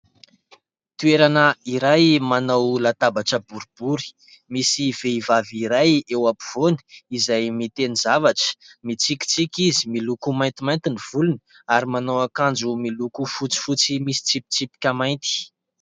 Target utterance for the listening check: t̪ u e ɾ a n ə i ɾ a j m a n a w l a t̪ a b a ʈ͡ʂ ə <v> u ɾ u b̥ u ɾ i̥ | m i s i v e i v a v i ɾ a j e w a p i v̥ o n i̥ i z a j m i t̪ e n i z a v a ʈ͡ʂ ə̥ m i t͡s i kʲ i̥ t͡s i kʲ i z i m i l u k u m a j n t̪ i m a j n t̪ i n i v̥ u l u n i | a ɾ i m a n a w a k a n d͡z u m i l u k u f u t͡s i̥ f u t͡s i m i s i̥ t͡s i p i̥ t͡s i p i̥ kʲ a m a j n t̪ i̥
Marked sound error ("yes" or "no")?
yes